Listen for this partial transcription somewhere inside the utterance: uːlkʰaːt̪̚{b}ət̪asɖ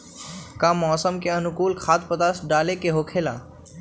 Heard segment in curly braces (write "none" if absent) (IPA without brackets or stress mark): p